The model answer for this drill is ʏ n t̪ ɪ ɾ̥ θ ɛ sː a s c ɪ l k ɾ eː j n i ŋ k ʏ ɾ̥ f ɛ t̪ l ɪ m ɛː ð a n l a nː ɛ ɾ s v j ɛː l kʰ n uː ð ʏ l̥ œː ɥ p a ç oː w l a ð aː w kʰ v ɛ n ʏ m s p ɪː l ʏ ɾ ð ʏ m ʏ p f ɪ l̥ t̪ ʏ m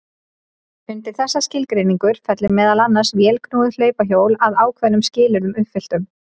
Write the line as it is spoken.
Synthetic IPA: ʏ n t̪ ɪ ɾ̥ θ ɛ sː a s c ɪ l k ɾ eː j n i ŋ k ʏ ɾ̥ f ɛ t̪ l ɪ m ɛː ð a l a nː a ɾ s v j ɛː l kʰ n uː ð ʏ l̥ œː ɥ p a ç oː w l a ð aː w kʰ v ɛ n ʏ m s c ɪː l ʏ ɾ ð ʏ m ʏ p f ɪ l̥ t̪ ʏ m